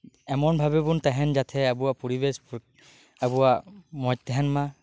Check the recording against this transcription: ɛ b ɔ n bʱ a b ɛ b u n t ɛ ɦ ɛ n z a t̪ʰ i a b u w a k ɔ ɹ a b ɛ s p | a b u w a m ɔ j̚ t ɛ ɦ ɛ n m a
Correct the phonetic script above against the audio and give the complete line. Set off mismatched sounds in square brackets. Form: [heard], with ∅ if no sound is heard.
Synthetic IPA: ɛ [m] ɔ n bʱ a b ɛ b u n t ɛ ɦ ɛ n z a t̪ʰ [ɛ] a b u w a [p] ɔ ɹ [i] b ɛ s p | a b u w a m ɔ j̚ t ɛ ɦ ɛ n m a